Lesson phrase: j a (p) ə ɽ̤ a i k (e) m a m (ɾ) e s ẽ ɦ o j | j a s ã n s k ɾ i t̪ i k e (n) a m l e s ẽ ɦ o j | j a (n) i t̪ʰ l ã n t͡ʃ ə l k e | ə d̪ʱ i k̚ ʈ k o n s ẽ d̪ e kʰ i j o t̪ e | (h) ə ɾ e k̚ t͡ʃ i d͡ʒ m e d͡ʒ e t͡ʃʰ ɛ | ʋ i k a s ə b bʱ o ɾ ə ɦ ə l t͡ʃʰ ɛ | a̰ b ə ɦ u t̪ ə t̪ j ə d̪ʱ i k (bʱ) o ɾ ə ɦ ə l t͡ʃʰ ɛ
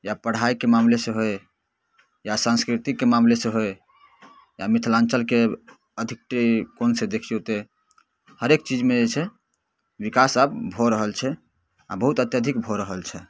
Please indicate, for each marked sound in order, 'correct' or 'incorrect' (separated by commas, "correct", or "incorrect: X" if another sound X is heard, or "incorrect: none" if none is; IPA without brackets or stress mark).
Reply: correct, correct, incorrect: l, incorrect: m, incorrect: m, correct, correct